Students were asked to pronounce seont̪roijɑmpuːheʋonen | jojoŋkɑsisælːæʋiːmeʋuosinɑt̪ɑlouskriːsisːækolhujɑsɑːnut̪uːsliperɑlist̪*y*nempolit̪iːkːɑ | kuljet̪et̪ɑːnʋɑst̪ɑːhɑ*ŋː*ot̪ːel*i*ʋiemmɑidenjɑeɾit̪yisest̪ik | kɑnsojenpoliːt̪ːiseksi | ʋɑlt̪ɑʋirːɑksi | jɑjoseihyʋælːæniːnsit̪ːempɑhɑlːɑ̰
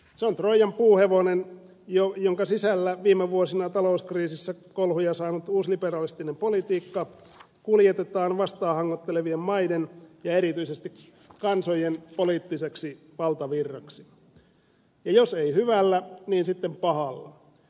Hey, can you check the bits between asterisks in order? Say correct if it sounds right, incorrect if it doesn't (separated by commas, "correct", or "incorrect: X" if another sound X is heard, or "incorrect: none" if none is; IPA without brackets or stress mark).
incorrect: i, correct, incorrect: e